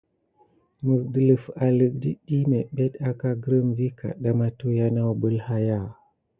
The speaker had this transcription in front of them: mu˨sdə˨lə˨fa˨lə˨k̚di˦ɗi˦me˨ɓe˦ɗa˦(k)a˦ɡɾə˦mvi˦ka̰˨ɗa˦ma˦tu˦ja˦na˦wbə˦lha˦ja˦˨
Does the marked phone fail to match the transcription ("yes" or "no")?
no